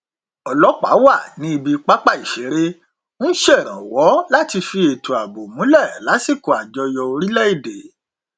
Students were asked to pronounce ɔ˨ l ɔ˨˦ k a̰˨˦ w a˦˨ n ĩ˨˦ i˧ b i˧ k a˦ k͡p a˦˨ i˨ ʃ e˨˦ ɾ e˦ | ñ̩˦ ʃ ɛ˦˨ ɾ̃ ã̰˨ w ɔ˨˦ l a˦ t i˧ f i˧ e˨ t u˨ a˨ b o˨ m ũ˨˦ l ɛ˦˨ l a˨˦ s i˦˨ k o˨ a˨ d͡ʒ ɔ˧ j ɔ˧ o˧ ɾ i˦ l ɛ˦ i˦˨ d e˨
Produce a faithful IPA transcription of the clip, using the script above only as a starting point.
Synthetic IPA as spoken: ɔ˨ l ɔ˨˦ k͡p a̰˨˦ w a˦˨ n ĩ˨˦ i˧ b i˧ k͡p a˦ k͡p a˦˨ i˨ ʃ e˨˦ ɾ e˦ | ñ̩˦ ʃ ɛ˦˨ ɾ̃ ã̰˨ w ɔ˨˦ l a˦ t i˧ f i˧ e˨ t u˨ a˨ b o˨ m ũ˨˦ l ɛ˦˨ l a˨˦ s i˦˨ k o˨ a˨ d͡ʒ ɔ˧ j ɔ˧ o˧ ɾ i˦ l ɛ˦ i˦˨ d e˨

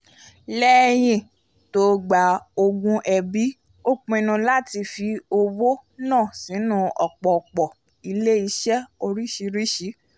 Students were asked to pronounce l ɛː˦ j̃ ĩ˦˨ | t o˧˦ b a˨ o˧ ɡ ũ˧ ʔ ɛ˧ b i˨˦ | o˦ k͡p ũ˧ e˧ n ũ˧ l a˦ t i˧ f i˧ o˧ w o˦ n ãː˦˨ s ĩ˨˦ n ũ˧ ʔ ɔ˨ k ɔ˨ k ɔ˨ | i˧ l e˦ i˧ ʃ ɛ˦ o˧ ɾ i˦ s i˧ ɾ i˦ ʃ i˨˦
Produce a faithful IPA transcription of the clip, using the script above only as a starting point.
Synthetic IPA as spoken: l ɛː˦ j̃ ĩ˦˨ | t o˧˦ ɡ͡b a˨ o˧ ɡ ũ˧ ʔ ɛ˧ b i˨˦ | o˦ k͡p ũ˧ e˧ n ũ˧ l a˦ t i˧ f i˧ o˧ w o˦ n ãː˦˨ s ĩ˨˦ n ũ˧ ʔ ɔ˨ k͡p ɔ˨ k͡p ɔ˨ | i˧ l e˦ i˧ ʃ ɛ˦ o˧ ɾ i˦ ʃ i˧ ɾ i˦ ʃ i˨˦

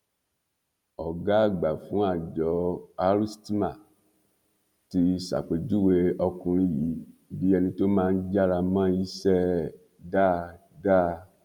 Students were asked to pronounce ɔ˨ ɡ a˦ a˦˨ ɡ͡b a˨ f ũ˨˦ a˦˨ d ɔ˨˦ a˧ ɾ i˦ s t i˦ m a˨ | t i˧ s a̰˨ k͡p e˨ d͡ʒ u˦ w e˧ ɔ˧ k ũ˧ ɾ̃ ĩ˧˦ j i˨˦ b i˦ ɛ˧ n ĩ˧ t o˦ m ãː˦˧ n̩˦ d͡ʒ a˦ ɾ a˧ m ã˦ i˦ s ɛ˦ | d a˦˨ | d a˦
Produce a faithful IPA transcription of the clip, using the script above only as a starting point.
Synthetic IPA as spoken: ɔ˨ ɡ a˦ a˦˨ ɡ͡b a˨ f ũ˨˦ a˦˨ d͡ʒ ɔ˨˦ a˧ ɾ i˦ s t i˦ m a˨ | t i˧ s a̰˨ k͡p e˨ d͡ʒ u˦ w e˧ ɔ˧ k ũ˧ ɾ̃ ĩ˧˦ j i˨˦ b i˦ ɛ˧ n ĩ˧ t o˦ m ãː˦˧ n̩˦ d͡ʒ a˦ ɾ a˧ m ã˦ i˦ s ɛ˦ | d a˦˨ | d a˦

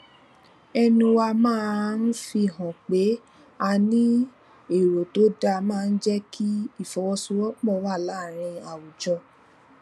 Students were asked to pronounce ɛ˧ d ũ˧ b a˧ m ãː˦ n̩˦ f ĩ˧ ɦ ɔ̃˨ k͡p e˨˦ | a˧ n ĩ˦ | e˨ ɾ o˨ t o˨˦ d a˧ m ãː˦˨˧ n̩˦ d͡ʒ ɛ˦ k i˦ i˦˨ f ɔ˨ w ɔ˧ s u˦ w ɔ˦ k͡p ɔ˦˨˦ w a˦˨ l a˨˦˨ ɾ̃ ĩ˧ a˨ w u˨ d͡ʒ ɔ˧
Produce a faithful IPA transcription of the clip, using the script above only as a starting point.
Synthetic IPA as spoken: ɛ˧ n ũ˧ w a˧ m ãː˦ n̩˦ f i˧ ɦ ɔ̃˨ k͡p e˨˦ | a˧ n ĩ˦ | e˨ ɾ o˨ t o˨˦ d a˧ m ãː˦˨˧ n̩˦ d͡ʒ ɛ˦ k i˦ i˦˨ f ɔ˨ w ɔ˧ s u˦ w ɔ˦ k͡p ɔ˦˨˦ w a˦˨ l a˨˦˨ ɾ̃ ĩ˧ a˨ w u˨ d͡ʒ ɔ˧

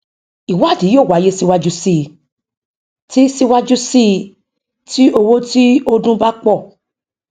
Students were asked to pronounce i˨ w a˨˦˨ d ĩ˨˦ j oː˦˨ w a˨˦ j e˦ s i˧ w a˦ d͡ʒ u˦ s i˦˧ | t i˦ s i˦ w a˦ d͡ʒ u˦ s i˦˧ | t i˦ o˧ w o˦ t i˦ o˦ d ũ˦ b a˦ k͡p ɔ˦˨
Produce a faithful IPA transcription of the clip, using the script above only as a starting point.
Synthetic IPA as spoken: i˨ w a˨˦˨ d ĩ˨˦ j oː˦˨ w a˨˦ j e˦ s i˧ w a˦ d͡ʒ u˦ s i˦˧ | t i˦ s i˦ w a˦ d͡ʒ u˦ s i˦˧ | t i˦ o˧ w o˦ t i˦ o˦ d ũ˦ b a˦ k͡p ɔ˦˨

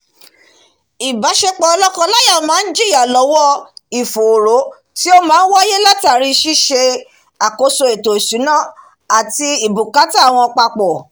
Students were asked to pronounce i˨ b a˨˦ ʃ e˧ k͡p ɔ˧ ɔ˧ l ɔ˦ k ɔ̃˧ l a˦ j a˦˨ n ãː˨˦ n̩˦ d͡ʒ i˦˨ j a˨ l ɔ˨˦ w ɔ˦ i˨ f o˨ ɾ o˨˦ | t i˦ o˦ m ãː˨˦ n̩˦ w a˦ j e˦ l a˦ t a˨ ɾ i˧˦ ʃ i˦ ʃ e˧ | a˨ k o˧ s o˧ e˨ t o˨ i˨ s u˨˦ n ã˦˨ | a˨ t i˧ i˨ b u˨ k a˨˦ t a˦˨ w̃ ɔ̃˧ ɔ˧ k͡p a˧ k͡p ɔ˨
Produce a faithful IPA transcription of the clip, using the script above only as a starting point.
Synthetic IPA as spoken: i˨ b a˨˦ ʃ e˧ k͡p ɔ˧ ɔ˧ l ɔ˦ k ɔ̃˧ l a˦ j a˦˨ m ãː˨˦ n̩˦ d͡ʒ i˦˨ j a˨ l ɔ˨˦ w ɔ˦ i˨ f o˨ ɾ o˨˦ | t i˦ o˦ m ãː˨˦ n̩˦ w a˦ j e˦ l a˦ t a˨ ɾ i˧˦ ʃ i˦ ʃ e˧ | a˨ k o˧ s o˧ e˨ t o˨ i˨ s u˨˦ n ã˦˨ | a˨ t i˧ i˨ b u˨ k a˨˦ t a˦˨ w̃ ɔ̃˧ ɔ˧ k͡p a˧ k͡p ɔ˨

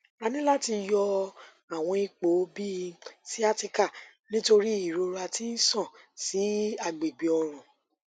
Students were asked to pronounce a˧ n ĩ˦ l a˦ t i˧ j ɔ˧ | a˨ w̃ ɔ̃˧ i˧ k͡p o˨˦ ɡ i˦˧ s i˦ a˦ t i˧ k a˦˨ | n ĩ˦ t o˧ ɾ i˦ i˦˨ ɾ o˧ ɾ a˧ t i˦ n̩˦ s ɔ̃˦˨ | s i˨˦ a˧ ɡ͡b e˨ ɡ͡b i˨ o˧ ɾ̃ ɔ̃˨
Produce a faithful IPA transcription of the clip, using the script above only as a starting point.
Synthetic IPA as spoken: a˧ n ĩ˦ l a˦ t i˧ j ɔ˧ | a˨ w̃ ɔ̃˧ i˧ k͡p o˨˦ b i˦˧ s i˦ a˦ t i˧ k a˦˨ | n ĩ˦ t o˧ ɾ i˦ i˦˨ ɾ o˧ ɾ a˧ t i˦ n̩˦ s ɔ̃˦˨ | s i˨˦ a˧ ɡ͡b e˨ ɡ͡b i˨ ɔ˧ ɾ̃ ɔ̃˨

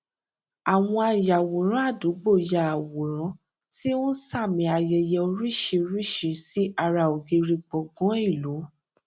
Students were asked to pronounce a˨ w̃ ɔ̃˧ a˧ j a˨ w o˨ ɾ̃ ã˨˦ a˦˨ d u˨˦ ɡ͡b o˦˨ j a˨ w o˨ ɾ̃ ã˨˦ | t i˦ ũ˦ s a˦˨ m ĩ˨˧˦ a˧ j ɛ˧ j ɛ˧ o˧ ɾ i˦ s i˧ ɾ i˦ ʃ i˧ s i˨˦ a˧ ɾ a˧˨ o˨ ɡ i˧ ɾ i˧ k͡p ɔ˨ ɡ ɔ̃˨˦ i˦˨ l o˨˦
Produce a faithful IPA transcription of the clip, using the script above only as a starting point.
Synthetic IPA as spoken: a˨ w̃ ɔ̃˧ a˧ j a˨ w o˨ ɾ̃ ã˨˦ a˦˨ d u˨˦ ɡ͡b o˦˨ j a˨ w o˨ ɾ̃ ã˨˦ | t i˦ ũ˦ s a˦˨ m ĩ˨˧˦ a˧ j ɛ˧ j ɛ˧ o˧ ɾ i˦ ʃ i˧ ɾ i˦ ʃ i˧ s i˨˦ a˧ ɾ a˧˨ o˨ ɡ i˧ ɾ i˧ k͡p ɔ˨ ɡ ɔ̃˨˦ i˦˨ l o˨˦

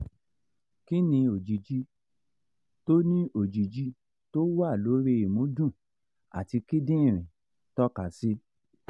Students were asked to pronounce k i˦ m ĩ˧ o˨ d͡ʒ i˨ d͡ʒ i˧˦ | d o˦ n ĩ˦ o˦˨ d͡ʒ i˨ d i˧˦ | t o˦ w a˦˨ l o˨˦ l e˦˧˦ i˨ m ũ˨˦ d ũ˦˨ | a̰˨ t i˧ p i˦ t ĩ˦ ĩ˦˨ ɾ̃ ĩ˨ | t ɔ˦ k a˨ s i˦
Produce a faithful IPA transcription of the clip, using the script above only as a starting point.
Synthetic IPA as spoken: k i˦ n ĩ˧ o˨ d͡ʒ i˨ d͡ʒ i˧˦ | t o˦ n ĩ˦ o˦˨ d͡ʒ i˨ d͡ʒ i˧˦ | t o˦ w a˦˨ l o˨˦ ɾ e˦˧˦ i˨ m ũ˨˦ d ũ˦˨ | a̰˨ t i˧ k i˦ d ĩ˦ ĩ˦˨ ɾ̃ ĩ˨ | t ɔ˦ k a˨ s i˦

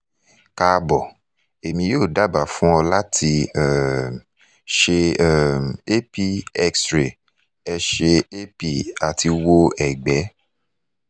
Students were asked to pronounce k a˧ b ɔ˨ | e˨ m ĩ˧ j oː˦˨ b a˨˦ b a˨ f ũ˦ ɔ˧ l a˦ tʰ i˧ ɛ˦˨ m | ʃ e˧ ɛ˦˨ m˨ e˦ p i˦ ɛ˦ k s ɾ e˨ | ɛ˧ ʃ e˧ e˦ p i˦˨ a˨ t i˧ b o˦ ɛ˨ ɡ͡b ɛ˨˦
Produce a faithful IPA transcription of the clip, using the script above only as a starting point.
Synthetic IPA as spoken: k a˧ b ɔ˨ | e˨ m ĩ˧ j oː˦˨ d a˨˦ b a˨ f ũ˦ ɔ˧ l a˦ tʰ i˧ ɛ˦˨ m | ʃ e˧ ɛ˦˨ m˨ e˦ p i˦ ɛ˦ k s ɾ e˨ | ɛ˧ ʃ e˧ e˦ p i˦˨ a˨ t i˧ w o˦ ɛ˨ ɡ͡b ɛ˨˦

